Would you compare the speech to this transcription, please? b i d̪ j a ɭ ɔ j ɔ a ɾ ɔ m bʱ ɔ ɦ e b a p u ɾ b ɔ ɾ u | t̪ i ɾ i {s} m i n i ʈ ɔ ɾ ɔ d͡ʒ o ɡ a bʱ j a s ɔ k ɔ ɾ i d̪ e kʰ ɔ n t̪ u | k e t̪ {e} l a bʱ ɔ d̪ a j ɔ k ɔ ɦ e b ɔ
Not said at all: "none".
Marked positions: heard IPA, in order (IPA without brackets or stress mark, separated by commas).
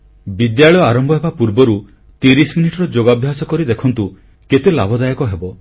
s, e